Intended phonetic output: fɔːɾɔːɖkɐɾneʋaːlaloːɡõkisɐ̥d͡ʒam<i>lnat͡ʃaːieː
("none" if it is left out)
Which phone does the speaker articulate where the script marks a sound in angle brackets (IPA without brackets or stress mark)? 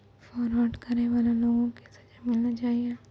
ɪ